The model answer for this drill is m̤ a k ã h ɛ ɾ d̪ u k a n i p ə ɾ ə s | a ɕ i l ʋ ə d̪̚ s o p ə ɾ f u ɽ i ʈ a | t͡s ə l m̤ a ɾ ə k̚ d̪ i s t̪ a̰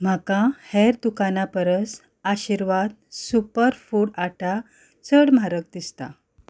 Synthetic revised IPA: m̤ a k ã h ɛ ɾ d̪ u k a n a p ə ɾ ə s | a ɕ i ɾ ʋ a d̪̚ s u p ə ɾ f u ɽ a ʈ a | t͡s ə ɽ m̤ a ɾ ə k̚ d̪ i s t̪ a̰